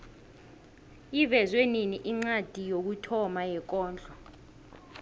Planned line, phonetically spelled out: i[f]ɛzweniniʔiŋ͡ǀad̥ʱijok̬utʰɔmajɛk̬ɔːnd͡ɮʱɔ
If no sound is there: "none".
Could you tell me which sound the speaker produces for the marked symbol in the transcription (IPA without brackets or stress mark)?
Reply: v